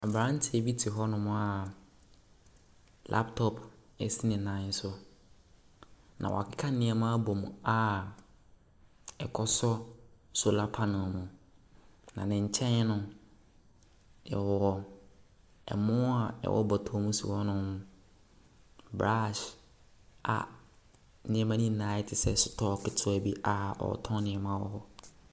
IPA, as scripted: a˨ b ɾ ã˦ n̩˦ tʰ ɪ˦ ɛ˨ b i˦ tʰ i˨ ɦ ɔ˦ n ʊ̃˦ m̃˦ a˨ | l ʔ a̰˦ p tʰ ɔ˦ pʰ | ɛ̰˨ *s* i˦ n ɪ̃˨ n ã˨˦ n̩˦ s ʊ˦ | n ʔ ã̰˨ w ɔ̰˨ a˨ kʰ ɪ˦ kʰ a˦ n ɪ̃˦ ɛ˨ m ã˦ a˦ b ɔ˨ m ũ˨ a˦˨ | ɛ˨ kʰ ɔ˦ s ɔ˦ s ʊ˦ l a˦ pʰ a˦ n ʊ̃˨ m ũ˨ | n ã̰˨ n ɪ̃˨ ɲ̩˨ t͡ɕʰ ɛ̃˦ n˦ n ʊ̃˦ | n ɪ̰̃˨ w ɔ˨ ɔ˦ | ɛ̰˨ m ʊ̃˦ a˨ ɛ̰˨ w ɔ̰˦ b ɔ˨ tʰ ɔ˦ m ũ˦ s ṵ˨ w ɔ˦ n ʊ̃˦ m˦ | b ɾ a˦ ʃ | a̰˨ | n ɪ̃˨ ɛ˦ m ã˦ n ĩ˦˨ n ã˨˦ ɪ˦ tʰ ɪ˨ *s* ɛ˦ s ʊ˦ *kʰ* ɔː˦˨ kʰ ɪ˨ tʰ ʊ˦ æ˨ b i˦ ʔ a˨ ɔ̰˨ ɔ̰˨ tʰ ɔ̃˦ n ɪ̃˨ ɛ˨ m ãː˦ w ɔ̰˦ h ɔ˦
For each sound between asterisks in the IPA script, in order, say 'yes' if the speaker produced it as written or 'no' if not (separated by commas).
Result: yes, yes, no